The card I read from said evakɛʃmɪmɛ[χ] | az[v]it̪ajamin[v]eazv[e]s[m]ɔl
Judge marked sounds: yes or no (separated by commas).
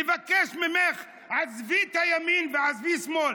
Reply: yes, yes, yes, no, yes